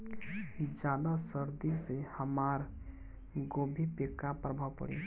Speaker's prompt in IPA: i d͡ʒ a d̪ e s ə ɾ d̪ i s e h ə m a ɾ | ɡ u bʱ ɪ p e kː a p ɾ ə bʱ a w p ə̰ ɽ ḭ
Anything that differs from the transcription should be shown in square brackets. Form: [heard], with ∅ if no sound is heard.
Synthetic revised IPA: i d͡ʒ a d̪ [a] s ə ɾ d̪ i s e h ə m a ɾ | ɡ [o] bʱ [i] p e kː a p ɾ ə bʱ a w p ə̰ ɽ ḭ